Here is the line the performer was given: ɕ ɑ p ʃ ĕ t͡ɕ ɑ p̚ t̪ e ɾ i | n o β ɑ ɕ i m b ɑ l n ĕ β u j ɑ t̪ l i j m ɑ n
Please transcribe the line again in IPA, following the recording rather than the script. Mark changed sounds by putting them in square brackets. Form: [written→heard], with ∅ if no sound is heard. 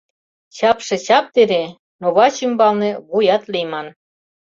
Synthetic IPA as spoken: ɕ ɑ p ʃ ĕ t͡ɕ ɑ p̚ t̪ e ɾ [i→e] | n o β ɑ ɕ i m b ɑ l n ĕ β u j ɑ t̪ l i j m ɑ n